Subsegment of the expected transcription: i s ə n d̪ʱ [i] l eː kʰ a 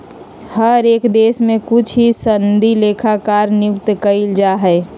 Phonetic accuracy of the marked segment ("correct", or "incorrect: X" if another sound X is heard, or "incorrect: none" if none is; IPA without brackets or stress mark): correct